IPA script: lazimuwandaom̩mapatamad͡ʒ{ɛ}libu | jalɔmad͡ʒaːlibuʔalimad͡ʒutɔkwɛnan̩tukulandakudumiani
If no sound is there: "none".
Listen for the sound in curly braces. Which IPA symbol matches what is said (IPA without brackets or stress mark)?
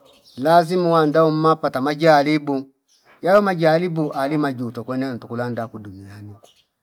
a